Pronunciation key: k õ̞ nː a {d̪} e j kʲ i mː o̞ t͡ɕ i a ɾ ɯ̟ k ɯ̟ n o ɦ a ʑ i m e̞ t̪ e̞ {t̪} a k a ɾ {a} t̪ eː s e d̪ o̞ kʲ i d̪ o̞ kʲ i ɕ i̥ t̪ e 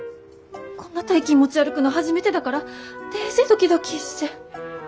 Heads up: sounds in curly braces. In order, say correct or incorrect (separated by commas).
incorrect, incorrect, correct